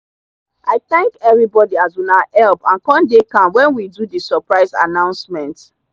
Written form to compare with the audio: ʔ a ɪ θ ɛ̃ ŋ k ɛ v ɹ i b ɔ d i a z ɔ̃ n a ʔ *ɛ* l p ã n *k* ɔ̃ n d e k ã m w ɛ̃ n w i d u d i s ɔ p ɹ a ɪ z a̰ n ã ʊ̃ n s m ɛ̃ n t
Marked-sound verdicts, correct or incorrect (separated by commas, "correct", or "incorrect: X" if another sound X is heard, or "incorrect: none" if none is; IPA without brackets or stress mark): correct, correct